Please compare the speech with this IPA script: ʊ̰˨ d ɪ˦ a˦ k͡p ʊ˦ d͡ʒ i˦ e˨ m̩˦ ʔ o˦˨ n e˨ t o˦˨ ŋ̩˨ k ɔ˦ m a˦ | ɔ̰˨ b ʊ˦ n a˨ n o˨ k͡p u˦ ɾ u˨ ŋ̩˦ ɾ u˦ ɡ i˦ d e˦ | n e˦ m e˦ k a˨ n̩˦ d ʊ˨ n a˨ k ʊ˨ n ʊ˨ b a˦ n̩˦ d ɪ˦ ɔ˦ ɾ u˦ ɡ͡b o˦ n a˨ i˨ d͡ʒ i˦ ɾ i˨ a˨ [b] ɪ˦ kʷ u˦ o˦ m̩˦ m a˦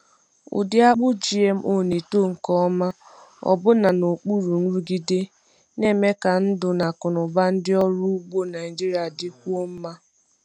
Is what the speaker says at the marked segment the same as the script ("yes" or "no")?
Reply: no